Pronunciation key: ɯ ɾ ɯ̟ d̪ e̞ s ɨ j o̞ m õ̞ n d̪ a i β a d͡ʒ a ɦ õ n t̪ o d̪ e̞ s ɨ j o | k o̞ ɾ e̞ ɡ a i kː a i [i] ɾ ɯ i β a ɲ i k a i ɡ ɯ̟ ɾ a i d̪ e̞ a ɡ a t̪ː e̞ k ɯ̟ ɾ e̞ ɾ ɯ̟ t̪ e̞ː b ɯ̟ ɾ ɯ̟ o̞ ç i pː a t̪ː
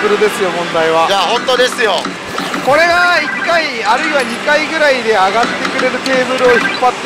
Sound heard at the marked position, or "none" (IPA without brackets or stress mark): a